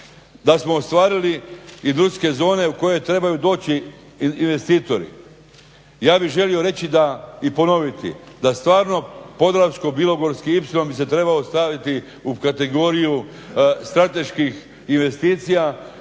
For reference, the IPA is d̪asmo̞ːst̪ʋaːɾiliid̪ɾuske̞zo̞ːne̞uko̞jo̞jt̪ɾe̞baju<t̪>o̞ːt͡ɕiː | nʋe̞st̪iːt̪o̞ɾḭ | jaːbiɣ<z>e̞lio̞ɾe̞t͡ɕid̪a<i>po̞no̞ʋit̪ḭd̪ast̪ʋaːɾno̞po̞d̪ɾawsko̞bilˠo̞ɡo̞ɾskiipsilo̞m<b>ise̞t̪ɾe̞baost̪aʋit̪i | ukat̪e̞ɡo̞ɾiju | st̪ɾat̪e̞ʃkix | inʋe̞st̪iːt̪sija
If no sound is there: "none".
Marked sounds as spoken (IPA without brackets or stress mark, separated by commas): d̪, ʒ, i, b